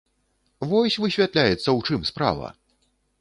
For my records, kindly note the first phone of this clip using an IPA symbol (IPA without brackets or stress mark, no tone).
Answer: v